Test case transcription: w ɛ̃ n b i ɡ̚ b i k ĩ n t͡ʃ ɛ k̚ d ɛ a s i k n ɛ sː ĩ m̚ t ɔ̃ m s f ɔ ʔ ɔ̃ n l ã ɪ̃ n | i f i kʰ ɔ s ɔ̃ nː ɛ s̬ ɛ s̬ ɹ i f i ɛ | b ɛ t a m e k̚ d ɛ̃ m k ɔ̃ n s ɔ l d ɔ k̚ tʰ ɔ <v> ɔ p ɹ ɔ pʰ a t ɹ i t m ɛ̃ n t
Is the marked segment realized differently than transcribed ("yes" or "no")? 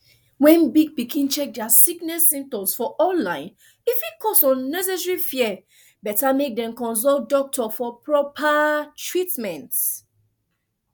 yes